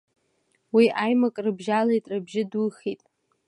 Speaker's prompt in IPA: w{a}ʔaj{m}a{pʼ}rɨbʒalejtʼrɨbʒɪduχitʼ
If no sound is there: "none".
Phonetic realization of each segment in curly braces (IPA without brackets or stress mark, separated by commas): i, m, kʼ